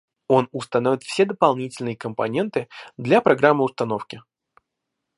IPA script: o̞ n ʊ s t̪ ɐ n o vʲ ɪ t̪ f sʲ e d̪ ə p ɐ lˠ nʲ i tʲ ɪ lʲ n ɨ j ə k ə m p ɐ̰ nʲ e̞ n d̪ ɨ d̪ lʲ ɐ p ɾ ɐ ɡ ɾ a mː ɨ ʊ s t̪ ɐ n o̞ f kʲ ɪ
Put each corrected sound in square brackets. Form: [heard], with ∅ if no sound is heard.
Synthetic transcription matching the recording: o̞ n ʊ s t̪ ɐ n o vʲ ɪ t̪ f sʲ e d̪ ə p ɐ lˠ nʲ i tʲ ɪ lʲ n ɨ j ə k ə m p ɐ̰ nʲ e̞ n [t̪] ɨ d̪ lʲ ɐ p ɾ ɐ ɡ ɾ a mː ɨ ʊ s t̪ ɐ n o̞ f kʲ ɪ